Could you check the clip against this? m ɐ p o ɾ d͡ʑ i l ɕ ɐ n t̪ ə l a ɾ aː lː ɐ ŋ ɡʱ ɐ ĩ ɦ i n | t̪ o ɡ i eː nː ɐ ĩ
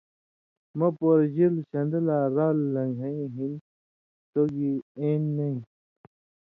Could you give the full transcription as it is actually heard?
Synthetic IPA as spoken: m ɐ p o ɾ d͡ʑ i l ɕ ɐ n d̪ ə l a ɾ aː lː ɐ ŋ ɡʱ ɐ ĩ ɦ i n | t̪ o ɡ i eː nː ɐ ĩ

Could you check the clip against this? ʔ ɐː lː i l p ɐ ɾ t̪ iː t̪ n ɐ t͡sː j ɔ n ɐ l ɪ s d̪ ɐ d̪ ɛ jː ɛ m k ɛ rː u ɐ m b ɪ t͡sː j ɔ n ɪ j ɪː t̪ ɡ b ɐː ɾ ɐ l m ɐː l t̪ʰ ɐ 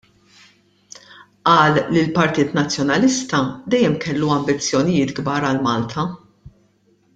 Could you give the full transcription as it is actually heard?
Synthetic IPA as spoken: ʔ ɐː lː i l p ɐ ɾ t̪ iː t̪ n ɐ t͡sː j ɔ n ɐ l ɪ s t̪ ɐ d̪ ɛ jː ɛ m k ɛ lː u ɐ m b ɪ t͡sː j ɔ n ɪ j ɪː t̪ ɡ b ɐː ɾ ɐ l m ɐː l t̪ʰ ɐ

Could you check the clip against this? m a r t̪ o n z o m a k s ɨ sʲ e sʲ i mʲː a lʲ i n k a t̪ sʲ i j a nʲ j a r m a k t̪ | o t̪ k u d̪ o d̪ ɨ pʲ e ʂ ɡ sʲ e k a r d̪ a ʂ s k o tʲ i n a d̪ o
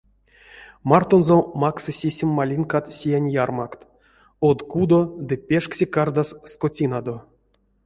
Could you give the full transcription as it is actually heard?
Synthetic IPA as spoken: m a r t̪ o n z o m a k s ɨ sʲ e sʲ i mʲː a lʲ i n k a t̪ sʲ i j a nʲ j a r m a k t̪ | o d̪ k u d̪ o d̪ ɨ pʲ e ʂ k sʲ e k a r d̪ a s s k o tʲ i n a d̪ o

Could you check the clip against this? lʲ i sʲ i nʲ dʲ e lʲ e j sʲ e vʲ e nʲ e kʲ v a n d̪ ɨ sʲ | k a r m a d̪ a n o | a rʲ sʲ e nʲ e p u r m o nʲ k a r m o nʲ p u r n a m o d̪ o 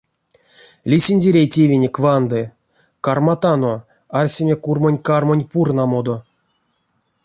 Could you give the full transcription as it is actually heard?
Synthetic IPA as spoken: lʲ i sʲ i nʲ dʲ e ɾʲ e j tʲ e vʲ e nʲ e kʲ v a n d̪ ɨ | k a r m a t̪ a n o | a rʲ sʲ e mʲ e k u r m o nʲ k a r m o nʲ p u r n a m o d̪ o

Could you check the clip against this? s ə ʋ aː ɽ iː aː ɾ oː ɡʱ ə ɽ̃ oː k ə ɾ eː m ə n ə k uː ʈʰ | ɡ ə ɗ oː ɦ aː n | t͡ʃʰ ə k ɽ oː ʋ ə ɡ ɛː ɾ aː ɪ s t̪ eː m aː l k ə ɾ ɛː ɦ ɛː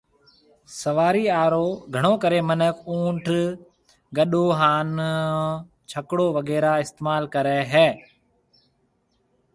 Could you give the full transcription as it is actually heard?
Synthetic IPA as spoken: s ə ʋ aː ɾ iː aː ɾ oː ɡʱ ə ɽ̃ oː k ə ɾ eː m ə n ə k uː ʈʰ | ɡ ə ɗ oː ɦ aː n | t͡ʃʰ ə k ɽ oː ʋ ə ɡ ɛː ɾ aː ɪ s t̪ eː m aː l k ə ɾ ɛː ɦ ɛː

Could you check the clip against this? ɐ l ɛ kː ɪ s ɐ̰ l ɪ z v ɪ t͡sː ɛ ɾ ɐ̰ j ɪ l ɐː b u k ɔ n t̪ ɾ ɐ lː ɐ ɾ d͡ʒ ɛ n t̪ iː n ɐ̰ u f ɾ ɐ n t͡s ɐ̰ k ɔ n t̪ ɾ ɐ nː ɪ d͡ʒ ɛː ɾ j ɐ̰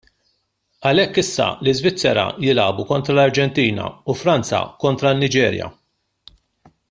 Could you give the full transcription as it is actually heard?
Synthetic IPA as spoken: ɐ l ɛ kː ɪ sː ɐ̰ l ɪ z v ɪ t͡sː ɛ ɾ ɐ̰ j ɪ l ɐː b u k ɔ n t̪ ɾ ɐ l ɐ ɾ d͡ʒ ɛ n t̪ iː n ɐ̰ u f ɾ ɐ n t͡s ɐ̰ k ɔ n t̪ ɾ ɐ nː ɪ d͡ʒ ɛː ɾ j ɐ̰

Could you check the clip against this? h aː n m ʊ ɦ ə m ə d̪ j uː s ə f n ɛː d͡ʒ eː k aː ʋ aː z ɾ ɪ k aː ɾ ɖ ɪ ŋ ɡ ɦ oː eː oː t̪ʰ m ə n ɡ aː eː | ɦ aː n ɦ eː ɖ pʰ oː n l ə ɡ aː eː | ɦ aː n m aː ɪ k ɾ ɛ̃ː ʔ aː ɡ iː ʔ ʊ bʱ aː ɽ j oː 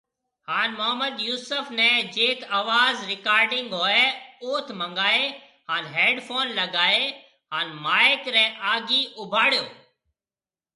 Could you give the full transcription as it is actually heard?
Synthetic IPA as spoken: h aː n m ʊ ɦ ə m ə d̪ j uː s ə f n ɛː d͡ʒ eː k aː ʋ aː z ɾ ɪ k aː ɾ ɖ ɪ ŋ ɡ ɦ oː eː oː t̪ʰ m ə ŋ ɡ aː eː | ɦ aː n ɦ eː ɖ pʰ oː n l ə ɡ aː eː | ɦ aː n m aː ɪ k ɾ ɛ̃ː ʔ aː ɡ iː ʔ ʊ bʱ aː ɽ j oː

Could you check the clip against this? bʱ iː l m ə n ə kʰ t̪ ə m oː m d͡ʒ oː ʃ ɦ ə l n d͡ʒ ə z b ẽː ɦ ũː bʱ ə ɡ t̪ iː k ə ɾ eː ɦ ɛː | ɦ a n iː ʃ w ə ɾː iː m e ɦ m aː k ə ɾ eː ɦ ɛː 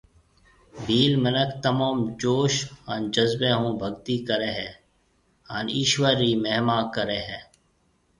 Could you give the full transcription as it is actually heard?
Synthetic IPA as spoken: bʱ iː l m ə n ə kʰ t̪ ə m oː m d͡ʒ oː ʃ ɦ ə n d͡ʒ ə z b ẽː ɦ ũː bʱ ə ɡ t̪ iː k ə ɾ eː ɦ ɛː | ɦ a n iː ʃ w ə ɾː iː m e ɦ m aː k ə ɾ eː ɦ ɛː

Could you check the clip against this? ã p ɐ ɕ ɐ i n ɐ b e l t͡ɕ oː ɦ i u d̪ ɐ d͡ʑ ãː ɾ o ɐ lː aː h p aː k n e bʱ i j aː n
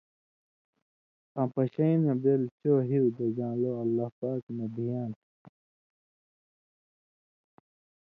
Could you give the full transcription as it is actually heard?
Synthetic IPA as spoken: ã p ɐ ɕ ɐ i n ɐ b e l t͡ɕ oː ɦ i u d̪ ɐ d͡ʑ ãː l o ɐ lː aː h p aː k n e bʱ i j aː n

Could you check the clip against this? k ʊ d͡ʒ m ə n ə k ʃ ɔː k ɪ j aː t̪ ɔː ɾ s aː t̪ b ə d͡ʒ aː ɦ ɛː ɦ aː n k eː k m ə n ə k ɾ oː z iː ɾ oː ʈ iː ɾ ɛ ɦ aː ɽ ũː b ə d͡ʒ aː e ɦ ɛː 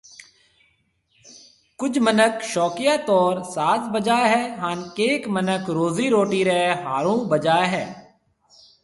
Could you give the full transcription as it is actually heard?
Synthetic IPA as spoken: k ʊ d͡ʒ m ə n ə k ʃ ɔː k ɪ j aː t̪ ɔː ɾ s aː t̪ b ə d͡ʒ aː ɦ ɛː ɦ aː n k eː k m ə n ə k ɾ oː z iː ɾ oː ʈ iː ɾ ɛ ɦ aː ɾ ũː b ə d͡ʒ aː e ɦ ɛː

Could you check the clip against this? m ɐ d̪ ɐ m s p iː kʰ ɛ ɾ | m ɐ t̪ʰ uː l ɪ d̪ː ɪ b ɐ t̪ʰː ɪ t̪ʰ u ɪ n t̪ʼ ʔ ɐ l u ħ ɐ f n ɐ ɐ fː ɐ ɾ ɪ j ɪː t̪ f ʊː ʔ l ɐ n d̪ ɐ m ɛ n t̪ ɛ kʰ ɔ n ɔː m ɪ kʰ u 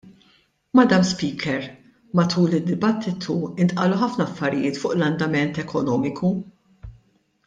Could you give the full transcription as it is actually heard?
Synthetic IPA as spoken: m ɐ d̪ ɐ m s p iː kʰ ɛ ɾ | m ɐ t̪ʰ uː l ɪ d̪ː ɪ b ɐ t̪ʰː ɪ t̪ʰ u ɪ n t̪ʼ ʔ ɐ l u ħ ɐ f n ɐ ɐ fː ɐ ɾ ɪ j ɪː t̪ f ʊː ʔ l ɐ n d̪ ɐ m ɛ n t̪ ɛ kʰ ɔ n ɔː m ɪ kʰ u

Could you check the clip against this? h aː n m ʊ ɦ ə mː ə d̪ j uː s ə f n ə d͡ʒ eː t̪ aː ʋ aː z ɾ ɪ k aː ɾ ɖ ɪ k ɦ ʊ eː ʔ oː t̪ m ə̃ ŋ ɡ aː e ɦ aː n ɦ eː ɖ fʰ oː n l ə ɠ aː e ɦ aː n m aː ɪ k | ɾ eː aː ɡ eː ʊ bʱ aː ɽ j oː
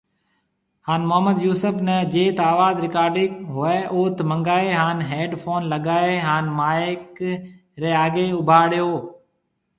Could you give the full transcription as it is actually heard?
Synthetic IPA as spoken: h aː n m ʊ ɦ ə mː ə d̪ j uː s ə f n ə d͡ʒ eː t̪ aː ʋ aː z ɾ ɪ k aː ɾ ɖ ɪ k ɦ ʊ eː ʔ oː t̪ m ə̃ ŋ ɡ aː e ɦ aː n ɦ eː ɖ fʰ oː n l ə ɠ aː e ɦ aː n m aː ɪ k | ɾ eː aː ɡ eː ʊ bʱ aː ɽ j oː

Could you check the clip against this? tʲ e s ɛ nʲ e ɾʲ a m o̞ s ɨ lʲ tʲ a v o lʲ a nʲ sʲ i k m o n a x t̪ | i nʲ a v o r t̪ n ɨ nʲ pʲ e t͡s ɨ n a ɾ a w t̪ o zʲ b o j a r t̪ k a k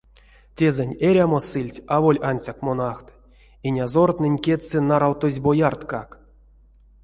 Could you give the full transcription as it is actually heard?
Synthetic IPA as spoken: tʲ e z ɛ nʲ e ɾʲ a m o̞ s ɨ lʲ tʲ a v o lʲ a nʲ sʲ a k m o n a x t̪ | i nʲ a z o r t̪ n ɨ nʲ kʲ e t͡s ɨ n a ɾ a w t̪ o zʲ b o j a r t̪ k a k

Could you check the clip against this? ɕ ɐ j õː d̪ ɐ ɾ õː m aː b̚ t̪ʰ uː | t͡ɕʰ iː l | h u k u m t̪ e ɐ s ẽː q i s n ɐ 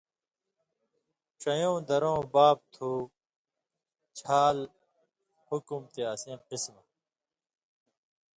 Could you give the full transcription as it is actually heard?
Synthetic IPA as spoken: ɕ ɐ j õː d̪ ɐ ɾ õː b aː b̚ t̪ʰ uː | t͡ɕʰ aː l | h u k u m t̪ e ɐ s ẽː q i s m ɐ

